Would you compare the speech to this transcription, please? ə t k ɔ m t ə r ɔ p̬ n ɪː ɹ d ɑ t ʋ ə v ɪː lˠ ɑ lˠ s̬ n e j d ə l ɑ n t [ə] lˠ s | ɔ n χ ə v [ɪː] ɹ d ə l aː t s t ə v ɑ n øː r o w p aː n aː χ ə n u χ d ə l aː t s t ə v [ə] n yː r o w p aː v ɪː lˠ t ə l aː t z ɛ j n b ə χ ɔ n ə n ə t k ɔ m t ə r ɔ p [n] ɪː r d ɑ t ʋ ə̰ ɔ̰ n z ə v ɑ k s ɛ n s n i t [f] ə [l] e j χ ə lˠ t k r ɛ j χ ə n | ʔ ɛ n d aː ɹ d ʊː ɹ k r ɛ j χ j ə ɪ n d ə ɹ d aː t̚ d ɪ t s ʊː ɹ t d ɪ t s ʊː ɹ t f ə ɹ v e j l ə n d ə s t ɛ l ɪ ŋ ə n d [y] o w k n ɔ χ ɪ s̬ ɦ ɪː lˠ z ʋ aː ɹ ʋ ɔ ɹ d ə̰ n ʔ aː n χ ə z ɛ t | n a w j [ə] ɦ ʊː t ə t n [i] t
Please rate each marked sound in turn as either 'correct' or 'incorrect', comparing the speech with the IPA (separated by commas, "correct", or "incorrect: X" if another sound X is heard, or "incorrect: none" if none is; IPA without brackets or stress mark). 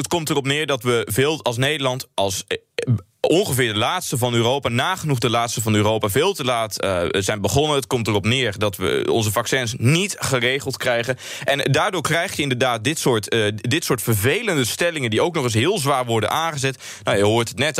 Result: incorrect: ɑ, correct, incorrect: ɑ, correct, incorrect: χ, incorrect: r, incorrect: i, correct, incorrect: ɛ